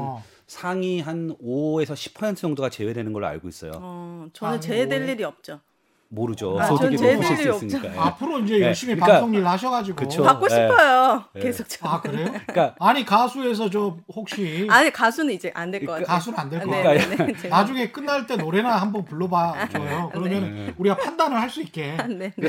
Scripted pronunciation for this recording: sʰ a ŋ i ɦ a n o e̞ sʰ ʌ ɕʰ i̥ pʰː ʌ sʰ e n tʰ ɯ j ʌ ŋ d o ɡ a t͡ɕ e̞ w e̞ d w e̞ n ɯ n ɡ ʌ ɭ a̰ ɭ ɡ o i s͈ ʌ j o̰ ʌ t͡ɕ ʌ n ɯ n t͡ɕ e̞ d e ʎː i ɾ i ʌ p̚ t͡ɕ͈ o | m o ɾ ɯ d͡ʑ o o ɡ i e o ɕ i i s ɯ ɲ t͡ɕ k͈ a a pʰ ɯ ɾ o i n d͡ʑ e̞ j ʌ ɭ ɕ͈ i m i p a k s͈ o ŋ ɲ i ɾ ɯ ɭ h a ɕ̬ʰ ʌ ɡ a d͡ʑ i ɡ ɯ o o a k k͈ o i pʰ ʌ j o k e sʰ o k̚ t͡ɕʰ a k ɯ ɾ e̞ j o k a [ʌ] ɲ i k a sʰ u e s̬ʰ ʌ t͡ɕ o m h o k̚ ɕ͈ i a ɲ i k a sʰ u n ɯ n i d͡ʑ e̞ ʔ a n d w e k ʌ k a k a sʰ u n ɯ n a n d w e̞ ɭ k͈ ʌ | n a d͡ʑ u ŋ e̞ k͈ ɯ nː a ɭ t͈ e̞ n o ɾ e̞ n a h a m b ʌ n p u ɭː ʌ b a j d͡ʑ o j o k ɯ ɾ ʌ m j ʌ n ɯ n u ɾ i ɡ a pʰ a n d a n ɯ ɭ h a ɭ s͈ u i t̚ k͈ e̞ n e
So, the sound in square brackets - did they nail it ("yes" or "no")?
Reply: no